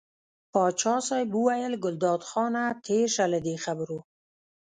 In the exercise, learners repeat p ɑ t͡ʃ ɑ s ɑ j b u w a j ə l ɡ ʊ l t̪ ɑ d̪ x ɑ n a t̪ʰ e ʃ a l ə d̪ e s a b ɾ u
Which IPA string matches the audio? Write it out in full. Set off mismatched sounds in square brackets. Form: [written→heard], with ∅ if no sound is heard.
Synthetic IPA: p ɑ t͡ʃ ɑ s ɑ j b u w a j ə l ɡ ʊ l [t̪→d̪] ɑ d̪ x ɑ n a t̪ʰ e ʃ a l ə d̪ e [s→x] a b ɾ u

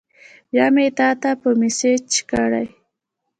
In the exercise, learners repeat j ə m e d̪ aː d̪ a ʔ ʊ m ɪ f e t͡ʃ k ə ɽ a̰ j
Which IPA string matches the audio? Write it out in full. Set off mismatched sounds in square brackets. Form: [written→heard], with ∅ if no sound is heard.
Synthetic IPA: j [ə→a] m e [d̪→t̪] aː [d̪→t̪] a [ʔ→p] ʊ m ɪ [f→s] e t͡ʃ k [ə→a] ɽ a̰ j

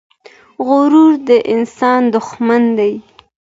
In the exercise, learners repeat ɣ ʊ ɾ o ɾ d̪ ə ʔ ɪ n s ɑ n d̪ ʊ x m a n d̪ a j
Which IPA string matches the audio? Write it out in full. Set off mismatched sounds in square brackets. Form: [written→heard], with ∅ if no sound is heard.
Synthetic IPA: ɣ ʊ ɾ [o→u] ɾ d̪ ə ʔ ɪ n s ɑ n d̪ ʊ x m a n d̪ a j

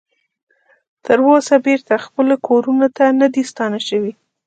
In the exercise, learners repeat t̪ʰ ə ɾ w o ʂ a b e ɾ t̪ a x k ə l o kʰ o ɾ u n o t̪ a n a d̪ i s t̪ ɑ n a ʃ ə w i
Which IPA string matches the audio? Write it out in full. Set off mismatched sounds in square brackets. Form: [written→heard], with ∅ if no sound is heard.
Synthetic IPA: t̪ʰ ə ɾ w o [ʂ→s] a b e ɾ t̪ a x [k→p] ə l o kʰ o ɾ u n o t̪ a n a d̪ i s t̪ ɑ n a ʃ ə w i

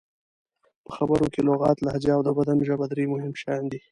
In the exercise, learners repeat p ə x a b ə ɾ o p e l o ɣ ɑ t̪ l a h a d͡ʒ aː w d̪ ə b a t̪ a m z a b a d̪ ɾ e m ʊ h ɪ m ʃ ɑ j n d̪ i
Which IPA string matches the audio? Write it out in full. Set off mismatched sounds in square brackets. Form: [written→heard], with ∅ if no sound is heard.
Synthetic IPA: p ə x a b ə ɾ o [p→k] e l o ɣ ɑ t̪ l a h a d͡ʒ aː w d̪ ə b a [t̪→d̪] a m [z→ʒ] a b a d̪ ɾ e m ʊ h ɪ m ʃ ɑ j n d̪ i

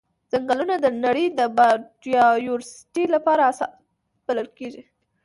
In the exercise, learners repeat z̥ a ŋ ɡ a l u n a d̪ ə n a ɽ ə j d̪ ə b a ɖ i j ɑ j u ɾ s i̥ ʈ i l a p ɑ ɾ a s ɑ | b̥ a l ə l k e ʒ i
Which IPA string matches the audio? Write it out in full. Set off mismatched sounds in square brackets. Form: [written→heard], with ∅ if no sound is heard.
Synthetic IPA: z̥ a ŋ ɡ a l u n a d̪ ə n a ɽ ə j d̪ ə b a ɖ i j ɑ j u ɾ s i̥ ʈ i l a p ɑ ɾ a s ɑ | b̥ a l ə l k e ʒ i

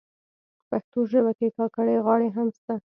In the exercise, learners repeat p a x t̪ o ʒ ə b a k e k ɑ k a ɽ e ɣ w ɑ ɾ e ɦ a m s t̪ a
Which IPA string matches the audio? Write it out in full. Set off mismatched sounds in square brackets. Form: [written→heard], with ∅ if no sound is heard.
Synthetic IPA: p a x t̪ o ʒ ə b a k e k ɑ k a ɽ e ɣ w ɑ [ɾ→ɽ] e ɦ a m s t̪ a

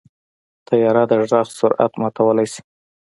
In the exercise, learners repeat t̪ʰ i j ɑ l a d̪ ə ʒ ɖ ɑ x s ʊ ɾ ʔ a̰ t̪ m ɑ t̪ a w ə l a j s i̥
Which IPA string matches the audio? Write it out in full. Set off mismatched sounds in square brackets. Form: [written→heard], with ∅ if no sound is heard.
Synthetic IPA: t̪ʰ [i→a] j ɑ [l→ɾ] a d̪ ə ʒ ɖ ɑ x s ʊ ɾ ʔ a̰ t̪ m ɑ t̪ a w ə l a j s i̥

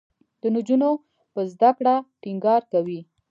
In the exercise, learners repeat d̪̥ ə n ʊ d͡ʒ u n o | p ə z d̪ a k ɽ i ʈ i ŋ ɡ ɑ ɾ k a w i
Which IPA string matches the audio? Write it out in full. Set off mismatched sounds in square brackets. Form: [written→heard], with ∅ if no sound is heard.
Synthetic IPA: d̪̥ ə n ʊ d͡ʒ u n o | p ə z d̪ a k ɽ [i→a] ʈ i ŋ ɡ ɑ ɾ k a w i

